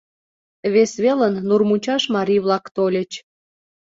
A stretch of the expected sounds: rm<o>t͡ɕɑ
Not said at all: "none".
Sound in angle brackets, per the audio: u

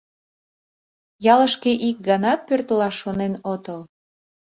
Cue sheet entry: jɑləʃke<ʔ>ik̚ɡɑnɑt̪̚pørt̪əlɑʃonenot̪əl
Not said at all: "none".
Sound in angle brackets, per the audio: ʔ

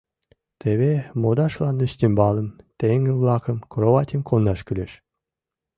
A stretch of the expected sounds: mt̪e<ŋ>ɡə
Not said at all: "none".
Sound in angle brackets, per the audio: ŋ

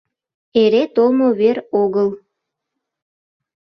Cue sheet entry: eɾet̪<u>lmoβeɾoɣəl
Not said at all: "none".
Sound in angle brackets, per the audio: o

